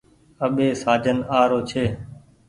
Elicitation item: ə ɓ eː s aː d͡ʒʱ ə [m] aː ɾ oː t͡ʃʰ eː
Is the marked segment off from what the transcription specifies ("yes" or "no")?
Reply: yes